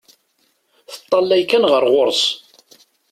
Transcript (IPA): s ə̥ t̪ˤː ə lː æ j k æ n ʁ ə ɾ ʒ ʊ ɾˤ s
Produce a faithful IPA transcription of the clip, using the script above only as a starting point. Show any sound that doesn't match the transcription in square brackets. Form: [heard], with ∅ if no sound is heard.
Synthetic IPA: [θ] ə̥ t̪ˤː [ɑ] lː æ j k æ n ʁ ə ɾ [ʁ] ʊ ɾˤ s